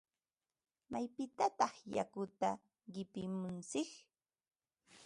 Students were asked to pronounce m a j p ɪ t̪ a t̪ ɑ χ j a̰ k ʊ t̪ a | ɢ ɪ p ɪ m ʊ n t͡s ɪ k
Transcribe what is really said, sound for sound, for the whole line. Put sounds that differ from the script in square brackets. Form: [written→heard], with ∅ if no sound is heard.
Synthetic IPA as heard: m a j p ɪ t̪ a t̪ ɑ χ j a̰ k ʊ t̪ a | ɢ ɪ p ɪ m ʊ n t͡s ɪ k